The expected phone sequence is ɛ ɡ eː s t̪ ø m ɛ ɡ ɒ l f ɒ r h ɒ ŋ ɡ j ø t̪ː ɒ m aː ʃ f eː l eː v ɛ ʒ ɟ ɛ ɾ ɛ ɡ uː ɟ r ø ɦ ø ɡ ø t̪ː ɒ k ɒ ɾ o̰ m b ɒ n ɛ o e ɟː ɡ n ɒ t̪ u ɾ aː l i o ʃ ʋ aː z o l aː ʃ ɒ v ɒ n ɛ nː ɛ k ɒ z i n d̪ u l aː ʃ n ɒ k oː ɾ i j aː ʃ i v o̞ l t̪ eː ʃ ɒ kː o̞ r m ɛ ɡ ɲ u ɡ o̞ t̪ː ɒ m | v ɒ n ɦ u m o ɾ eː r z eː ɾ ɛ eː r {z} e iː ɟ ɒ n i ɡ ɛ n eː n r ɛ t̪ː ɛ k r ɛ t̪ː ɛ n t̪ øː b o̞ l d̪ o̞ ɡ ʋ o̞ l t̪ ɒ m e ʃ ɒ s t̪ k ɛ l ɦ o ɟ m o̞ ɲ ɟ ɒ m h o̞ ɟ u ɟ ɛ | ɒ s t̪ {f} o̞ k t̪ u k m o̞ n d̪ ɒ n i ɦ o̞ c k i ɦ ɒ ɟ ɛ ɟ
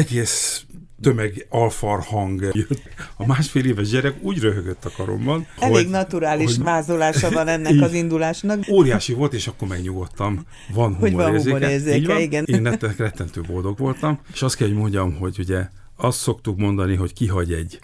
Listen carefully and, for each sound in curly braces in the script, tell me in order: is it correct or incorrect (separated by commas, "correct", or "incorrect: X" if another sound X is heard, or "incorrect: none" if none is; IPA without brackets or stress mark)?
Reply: correct, incorrect: s